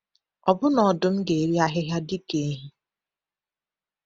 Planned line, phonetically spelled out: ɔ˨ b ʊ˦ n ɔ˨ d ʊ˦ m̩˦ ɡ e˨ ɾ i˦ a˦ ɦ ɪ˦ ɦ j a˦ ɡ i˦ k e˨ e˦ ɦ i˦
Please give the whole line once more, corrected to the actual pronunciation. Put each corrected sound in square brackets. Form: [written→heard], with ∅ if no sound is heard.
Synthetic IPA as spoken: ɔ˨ b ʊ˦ n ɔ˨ d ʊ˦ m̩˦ ɡ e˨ ɾ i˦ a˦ ɦ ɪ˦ ɦ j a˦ [ɡ→d] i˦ k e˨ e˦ ɦ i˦